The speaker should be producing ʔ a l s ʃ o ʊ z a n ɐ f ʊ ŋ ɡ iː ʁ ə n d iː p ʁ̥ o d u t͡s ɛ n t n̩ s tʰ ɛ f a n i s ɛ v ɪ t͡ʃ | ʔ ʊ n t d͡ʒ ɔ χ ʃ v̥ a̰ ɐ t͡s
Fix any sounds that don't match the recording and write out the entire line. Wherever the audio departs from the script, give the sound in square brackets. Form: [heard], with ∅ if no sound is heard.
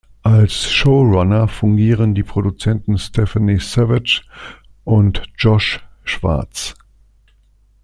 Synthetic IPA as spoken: ʔ a l s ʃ o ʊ [ʁ] a n ɐ f ʊ ŋ ɡ iː ʁ ə n d iː p ʁ̥ o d u t͡s ɛ n t n̩ s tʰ ɛ f a n i s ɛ v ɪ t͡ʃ | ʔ ʊ n t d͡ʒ ɔ [ʃ] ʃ v̥ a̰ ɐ t͡s